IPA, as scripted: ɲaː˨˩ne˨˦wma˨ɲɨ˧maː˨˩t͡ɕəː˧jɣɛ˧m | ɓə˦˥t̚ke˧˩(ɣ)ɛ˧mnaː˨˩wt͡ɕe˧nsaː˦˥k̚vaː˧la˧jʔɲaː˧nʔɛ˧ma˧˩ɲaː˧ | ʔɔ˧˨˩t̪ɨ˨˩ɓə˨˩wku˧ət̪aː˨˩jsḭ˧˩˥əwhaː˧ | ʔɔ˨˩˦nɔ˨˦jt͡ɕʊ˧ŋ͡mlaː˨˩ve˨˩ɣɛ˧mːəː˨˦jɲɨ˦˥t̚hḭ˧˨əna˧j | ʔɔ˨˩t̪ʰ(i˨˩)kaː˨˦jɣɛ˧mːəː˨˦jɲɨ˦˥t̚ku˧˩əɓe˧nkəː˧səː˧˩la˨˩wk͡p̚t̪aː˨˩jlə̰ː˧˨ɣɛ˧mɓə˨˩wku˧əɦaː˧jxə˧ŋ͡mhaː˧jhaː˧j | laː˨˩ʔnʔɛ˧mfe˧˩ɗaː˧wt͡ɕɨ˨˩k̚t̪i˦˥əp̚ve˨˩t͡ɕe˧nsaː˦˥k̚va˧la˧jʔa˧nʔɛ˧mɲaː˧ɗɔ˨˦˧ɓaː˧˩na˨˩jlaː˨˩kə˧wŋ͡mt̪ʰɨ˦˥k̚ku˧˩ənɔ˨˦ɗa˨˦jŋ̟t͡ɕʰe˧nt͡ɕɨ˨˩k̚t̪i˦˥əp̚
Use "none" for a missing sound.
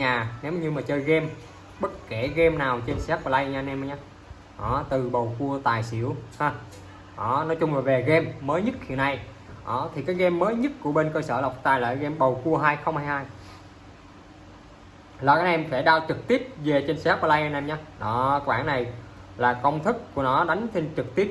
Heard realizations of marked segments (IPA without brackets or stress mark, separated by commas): ɣ, i˨˩